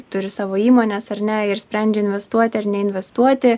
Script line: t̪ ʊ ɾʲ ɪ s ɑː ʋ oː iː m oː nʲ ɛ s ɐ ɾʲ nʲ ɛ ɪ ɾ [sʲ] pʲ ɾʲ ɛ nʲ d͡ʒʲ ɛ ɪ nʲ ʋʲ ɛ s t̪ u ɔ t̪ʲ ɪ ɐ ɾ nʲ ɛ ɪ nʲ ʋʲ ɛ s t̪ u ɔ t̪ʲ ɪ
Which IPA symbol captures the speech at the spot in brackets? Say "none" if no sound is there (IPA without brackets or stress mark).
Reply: sʲ